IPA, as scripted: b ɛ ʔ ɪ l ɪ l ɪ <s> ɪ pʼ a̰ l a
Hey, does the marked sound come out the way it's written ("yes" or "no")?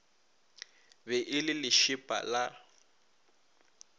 no